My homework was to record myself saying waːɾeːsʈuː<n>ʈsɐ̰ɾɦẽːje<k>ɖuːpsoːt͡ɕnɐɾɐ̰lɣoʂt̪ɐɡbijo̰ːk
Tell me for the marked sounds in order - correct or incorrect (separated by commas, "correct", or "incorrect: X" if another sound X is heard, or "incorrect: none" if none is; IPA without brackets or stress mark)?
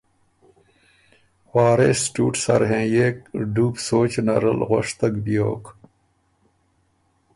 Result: incorrect: none, correct